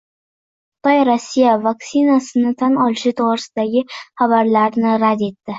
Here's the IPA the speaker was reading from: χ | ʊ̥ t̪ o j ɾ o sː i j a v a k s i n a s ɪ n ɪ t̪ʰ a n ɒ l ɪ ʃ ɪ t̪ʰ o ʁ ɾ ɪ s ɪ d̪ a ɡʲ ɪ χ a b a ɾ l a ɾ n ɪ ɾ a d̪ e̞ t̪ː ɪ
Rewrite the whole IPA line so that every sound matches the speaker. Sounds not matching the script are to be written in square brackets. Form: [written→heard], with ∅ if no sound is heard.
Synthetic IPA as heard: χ | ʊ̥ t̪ [o→ɒ] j ɾ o sː i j a v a k s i n a s ɪ n ɪ t̪ʰ a n ɒ l ɪ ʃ ɪ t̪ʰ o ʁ ɾ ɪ s ɪ d̪ a ɡʲ ɪ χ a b a ɾ l a ɾ n ɪ ɾ a d̪ e̞ t̪ː ɪ